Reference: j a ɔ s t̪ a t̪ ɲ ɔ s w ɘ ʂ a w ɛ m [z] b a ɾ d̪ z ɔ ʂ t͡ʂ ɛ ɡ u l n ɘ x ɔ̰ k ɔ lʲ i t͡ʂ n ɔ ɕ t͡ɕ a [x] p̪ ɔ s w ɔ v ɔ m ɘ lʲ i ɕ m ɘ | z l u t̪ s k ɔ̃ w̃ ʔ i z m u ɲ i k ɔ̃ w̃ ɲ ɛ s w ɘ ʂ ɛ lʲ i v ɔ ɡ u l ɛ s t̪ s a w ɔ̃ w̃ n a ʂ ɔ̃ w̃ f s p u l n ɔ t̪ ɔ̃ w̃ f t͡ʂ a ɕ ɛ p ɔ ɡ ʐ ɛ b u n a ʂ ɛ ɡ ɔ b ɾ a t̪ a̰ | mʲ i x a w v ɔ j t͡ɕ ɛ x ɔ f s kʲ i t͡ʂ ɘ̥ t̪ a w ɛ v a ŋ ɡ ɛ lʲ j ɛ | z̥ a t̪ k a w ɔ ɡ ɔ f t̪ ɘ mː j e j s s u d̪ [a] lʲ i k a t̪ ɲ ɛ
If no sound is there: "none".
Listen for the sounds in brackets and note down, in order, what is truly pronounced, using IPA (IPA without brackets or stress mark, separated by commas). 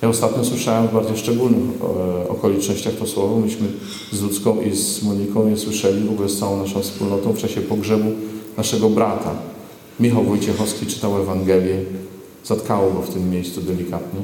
v, x, ɛ